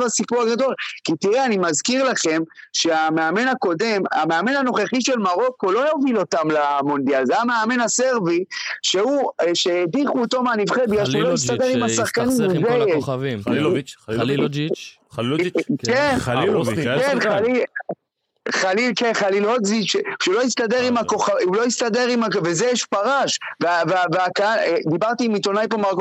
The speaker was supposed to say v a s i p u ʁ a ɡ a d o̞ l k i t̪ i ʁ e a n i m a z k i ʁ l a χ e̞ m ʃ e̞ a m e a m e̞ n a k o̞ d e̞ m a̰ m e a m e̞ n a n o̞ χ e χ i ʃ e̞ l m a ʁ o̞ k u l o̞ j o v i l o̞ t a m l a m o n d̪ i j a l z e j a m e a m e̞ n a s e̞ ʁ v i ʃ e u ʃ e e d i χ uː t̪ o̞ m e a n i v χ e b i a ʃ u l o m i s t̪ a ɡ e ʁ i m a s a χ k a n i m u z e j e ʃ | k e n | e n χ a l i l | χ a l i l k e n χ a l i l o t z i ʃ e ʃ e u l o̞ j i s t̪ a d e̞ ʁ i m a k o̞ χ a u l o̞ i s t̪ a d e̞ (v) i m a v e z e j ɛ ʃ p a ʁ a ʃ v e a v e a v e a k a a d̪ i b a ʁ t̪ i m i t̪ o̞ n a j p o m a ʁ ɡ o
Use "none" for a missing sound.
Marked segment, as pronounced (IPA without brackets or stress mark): ʁ